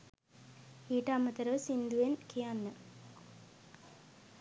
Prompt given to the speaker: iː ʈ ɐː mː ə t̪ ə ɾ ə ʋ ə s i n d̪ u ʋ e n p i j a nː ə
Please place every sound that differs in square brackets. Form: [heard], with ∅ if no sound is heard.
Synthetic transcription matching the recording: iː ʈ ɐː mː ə t̪ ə ɾ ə ʋ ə s i n d̪ u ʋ e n [k] i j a nː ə